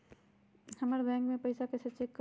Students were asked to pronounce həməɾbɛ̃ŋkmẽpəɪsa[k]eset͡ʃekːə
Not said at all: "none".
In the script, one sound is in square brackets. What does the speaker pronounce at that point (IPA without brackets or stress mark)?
k